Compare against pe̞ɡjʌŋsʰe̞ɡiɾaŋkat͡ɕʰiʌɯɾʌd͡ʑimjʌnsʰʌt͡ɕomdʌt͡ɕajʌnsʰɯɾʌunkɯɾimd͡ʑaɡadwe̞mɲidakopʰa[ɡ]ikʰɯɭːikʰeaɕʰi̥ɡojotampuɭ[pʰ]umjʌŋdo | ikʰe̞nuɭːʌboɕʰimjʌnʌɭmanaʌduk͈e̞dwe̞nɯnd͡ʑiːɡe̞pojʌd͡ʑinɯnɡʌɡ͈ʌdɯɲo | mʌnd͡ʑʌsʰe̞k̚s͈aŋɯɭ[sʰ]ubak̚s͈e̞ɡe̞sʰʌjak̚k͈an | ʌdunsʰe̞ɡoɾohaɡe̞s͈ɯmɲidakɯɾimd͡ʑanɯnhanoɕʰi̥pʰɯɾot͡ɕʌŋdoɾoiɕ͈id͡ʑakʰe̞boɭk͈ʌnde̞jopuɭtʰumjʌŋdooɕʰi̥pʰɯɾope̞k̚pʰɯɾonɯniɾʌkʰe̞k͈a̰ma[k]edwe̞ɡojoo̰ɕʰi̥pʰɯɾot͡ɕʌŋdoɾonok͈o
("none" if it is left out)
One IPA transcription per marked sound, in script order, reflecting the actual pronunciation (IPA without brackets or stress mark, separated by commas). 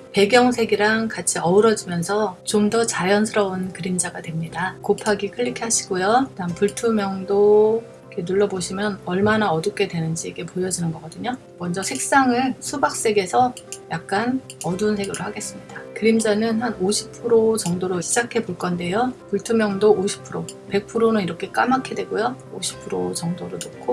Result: ɡ, tʰ, sʰ, kʰ